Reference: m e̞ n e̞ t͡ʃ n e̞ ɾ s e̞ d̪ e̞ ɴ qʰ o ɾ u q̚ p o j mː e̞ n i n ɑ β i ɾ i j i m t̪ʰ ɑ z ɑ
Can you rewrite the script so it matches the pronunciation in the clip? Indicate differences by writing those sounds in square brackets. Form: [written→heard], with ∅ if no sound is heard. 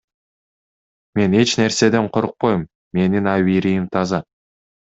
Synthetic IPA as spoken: m e̞ n e̞ t͡ʃ n e̞ ɾ s e̞ d̪ e̞ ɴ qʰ o ɾ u q̚ p o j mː e̞ n i n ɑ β i ɾ i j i m t̪ʰ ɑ z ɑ